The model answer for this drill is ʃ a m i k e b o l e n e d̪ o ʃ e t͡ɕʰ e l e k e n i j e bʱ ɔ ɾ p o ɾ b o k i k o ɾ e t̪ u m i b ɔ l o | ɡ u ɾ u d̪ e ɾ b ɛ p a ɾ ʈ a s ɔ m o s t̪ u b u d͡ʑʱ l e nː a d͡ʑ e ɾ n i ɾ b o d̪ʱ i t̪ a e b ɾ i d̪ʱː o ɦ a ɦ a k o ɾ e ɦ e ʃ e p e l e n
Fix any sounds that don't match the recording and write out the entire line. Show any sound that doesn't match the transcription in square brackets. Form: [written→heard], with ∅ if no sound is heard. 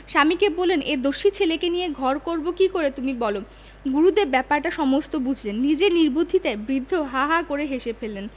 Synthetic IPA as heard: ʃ a m i k e b o l e n e d̪ o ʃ [e→i] t͡ɕʰ e l e k e n i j e [bʱ→ɡʱ] ɔ ɾ [p→k] o ɾ b o k i k o ɾ e t̪ u m i b ɔ l o | ɡ u ɾ u d̪ e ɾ b ɛ p a ɾ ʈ a [s→ʃ] ɔ m o s t̪ [u→o] b u d͡ʑʱ l e nː [a→i] d͡ʑ e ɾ n i ɾ b o d̪ʱ i t̪ a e b ɾ i d̪ʱː o ɦ a ɦ a k o ɾ e ɦ e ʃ e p e l e n

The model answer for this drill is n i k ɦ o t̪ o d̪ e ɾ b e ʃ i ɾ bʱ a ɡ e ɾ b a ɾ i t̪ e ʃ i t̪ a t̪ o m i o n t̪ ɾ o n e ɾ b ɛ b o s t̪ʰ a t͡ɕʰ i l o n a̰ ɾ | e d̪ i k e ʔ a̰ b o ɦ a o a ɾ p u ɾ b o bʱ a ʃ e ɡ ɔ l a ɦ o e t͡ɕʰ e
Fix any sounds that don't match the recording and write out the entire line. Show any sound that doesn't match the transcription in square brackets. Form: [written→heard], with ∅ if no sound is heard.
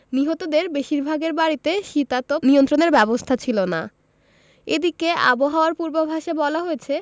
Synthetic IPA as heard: n i [k→∅] ɦ o t̪ o d̪ e ɾ b e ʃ i ɾ bʱ a ɡ e ɾ b a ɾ i t̪ e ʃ i t̪ a t̪ o [m→n] i o n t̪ ɾ o n e ɾ b ɛ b o s t̪ʰ a t͡ɕʰ i l o n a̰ [ɾ→∅] | e d̪ i k e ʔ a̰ b o ɦ a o a ɾ p u ɾ b o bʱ a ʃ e [ɡ→b] ɔ l a ɦ o e t͡ɕʰ e

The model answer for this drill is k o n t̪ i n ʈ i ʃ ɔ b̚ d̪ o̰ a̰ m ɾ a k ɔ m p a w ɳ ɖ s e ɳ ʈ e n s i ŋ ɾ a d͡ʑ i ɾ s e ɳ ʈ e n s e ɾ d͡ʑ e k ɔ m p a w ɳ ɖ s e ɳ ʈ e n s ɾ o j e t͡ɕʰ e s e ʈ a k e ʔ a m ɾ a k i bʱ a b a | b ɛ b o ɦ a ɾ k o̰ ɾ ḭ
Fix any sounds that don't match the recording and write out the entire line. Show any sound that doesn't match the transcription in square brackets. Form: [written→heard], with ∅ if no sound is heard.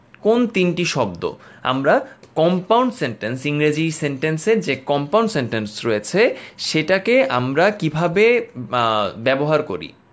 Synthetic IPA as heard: k o n t̪ i n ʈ i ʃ ɔ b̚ d̪ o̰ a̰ m ɾ a k ɔ m p a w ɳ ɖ s e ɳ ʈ e n s i ŋ ɾ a d͡ʑ i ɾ s e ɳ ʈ e n s e ɾ d͡ʑ e k ɔ m p a w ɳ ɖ s e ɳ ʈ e n s ɾ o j e t͡ɕʰ e [s→ʃ] e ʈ a k e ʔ a m ɾ a k i bʱ a b [a→e] | b ɛ b o ɦ a ɾ k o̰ ɾ ḭ

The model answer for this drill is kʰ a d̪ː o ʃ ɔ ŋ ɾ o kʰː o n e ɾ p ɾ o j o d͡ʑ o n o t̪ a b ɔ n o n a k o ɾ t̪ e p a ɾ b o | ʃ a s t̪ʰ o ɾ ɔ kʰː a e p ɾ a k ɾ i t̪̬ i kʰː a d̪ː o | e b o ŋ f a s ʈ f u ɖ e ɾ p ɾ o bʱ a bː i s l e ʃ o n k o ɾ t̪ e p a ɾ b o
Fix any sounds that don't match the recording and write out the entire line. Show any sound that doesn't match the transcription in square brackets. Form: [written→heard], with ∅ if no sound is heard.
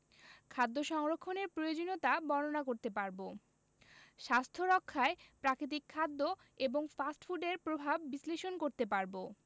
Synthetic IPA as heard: kʰ a d̪ː o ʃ ɔ ŋ ɾ o kʰː o n e ɾ p ɾ o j o d͡ʑ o n o t̪ a b ɔ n o n a k o ɾ t̪ e p a ɾ b o | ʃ a s t̪ʰ o ɾ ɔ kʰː a e p ɾ a k ɾ i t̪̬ i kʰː a d̪ː o | e b o ŋ f a s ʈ f u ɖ e ɾ p ɾ o bʱ a bː i s l e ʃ o n k o ɾ t̪ e p a ɾ b o

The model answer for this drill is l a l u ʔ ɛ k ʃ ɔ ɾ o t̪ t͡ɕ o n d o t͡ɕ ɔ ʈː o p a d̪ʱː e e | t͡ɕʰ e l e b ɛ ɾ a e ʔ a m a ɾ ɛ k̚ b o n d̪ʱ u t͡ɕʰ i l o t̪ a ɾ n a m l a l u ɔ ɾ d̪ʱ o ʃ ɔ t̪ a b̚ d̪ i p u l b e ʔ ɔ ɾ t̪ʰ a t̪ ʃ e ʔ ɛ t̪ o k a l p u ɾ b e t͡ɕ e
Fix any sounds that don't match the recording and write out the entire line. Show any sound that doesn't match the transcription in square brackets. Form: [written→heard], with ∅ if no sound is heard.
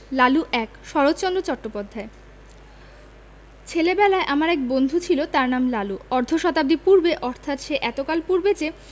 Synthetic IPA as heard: l a l u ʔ ɛ k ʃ ɔ ɾ o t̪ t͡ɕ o n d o t͡ɕ ɔ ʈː o p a d̪ʱː [e→a] e | t͡ɕʰ e l e b ɛ [ɾ→l] a e ʔ a m a ɾ ɛ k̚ b o n d̪ʱ u t͡ɕʰ i l o t̪ a ɾ n a m l a l u ɔ ɾ d̪ʱ o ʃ ɔ t̪ a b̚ d̪ i p u [l→ɾ] b e ʔ ɔ ɾ t̪ʰ a t̪ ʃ e ʔ ɛ t̪ o k a l p u ɾ b e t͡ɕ e

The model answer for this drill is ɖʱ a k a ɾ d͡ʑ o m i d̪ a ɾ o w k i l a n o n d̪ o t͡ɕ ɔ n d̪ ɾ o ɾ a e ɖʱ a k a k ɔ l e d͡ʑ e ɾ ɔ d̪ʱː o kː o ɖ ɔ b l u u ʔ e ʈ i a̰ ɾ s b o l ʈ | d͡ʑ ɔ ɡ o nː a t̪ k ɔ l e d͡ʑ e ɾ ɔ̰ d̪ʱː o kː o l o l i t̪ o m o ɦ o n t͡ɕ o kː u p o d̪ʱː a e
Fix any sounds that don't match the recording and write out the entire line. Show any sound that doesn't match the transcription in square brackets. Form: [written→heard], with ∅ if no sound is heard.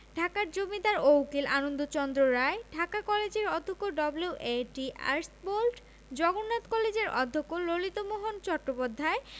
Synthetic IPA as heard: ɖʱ a k a ɾ d͡ʑ o m i d̪ a ɾ o w k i l a n o n d̪ o t͡ɕ ɔ n d̪ ɾ o ɾ a e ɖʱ a k a k ɔ l e d͡ʑ e ɾ ɔ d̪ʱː o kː o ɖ ɔ b l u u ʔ e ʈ i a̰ ɾ s b o l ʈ | d͡ʑ ɔ ɡ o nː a t̪ k ɔ l e d͡ʑ e ɾ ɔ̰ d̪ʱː o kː o l o l i t̪ o m o ɦ o n t͡ɕ [o→ɔ] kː [u→o] p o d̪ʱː a e

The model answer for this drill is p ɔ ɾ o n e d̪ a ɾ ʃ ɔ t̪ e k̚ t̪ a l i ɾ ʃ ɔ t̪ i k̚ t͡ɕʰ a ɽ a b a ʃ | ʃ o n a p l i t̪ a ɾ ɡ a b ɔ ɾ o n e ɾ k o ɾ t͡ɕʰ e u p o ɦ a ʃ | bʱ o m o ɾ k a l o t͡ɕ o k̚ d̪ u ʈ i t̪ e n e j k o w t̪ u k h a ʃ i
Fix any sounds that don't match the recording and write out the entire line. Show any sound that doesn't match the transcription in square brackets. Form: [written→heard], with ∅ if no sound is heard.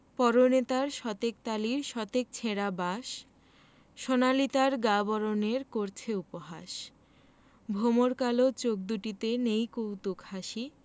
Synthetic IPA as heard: p ɔ ɾ o n e [d̪→t̪] a ɾ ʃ ɔ t̪ e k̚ t̪ a l i ɾ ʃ ɔ t̪ [i→e] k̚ t͡ɕʰ [a→e] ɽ a b a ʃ | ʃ o n a [p→∅] l i t̪ a ɾ ɡ a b ɔ ɾ o n e ɾ k o ɾ t͡ɕʰ e u p o ɦ a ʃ | bʱ o m o ɾ k a l o t͡ɕ o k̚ d̪ u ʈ i t̪ e n e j k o w t̪ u k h a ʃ i

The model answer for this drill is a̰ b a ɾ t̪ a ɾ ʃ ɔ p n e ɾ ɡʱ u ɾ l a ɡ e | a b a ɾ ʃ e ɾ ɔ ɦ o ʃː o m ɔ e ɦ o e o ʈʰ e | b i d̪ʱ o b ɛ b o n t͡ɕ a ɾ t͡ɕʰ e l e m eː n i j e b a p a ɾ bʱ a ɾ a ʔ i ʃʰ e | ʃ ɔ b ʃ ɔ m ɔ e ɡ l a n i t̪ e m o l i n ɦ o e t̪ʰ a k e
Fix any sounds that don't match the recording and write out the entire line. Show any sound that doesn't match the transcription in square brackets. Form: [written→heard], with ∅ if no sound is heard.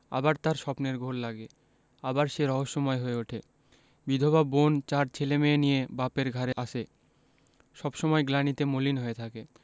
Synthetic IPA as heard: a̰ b a ɾ t̪ a ɾ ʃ ɔ p n e ɾ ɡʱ [u→o] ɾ l a ɡ e | a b a ɾ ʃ e ɾ ɔ ɦ o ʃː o m ɔ e ɦ o e o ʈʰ e | b i d̪ʱ o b [ɛ→a] b o n t͡ɕ a ɾ t͡ɕʰ e l e m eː n i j e b a p [a→e] ɾ [bʱ→ɡʱ] a ɾ [a→e] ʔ [i→a] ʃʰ e | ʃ ɔ b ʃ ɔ m ɔ e ɡ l a n i t̪ e m o l i n ɦ o e t̪ʰ a k e

